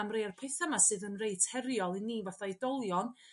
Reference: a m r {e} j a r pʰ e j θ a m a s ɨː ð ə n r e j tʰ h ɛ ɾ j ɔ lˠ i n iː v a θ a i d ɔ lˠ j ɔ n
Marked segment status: correct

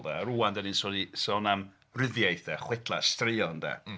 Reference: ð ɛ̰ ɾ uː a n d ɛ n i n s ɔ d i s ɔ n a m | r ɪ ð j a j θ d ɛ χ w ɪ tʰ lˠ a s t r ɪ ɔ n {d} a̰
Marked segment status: correct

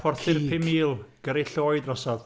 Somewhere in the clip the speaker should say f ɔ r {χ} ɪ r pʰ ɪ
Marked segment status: incorrect: θ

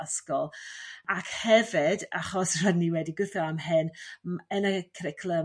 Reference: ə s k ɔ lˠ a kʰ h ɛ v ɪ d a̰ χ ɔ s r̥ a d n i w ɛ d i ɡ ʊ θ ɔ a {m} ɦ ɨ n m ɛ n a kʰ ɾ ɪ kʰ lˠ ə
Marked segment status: correct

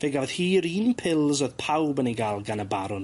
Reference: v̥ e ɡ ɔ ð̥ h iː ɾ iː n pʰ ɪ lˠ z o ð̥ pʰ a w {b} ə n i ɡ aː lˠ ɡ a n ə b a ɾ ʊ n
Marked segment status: correct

